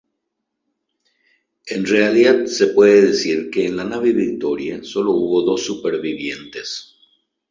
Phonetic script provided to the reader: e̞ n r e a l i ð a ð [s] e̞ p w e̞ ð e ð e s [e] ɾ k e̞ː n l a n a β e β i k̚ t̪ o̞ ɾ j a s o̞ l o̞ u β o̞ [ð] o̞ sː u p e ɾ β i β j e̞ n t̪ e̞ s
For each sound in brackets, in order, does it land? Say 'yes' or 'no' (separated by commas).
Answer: yes, no, yes